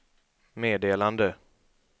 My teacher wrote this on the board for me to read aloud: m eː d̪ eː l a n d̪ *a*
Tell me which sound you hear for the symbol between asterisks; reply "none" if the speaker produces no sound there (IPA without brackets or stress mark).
ə